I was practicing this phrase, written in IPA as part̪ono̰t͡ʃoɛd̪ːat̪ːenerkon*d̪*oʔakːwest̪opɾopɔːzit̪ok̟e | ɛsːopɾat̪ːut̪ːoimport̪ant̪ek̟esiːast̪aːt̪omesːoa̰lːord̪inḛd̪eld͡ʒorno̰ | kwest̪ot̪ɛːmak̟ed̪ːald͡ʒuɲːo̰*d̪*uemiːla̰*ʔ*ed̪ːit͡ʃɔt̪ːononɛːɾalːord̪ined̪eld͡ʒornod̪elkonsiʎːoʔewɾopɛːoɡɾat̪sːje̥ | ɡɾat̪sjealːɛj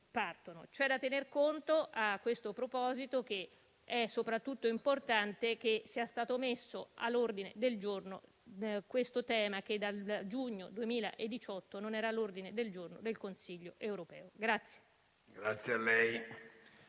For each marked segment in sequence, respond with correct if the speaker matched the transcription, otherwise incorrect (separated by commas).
incorrect, correct, correct